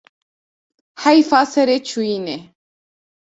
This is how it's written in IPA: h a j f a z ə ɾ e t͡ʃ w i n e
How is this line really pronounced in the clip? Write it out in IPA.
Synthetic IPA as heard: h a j f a s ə ɾ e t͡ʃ u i n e